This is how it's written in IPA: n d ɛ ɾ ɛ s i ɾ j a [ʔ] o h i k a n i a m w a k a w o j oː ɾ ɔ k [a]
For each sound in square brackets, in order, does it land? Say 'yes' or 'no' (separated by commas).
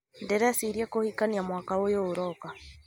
no, yes